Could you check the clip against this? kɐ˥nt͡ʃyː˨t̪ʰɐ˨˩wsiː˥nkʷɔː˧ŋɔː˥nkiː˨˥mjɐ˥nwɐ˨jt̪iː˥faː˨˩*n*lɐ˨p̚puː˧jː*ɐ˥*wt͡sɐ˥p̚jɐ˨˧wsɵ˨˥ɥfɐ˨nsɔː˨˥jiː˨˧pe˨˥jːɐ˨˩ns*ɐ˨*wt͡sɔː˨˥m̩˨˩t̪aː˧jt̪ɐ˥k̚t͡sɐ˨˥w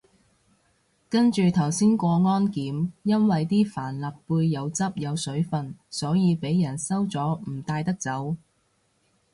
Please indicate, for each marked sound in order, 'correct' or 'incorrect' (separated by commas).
correct, incorrect, incorrect